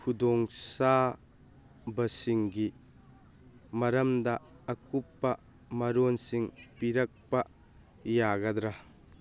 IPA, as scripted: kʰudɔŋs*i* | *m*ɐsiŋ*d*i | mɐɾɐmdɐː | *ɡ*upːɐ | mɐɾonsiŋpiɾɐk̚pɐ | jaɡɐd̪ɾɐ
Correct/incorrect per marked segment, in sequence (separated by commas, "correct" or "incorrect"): incorrect, incorrect, incorrect, incorrect